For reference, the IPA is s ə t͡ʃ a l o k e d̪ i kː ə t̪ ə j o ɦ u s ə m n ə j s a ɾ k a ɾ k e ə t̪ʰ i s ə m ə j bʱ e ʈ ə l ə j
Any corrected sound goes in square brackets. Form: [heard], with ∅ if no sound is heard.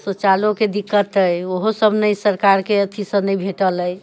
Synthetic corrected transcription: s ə t͡ʃ a l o k e d̪ i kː ə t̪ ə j o ɦ [o] s ə [b] n ə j s [ə] ɾ k a ɾ k e ə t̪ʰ i s ə [n] ə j bʱ e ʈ ə l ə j